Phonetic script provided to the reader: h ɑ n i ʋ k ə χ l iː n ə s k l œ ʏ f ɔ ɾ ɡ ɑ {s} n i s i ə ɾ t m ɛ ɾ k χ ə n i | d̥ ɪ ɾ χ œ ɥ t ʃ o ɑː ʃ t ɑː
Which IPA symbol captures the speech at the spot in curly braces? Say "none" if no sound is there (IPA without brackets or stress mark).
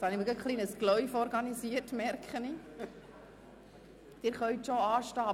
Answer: none